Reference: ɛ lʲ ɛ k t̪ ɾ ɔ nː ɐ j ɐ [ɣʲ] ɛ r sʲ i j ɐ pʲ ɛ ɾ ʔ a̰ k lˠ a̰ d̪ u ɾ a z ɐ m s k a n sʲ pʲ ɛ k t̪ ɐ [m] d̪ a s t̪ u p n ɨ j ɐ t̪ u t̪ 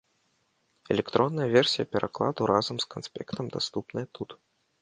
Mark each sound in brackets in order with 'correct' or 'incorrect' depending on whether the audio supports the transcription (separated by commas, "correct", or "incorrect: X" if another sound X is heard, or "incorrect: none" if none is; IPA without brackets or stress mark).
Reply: incorrect: vʲ, correct